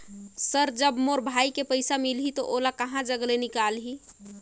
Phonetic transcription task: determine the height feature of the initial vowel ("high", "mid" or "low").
mid